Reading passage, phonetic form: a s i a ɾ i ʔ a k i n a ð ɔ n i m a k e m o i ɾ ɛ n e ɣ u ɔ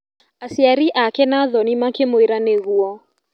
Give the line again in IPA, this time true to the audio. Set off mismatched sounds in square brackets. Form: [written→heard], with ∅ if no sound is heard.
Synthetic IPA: a s i a ɾ i ʔ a k [i→ɛ] n a ð ɔ n i m a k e m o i ɾ [ɛ→a] n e ɣ u ɔ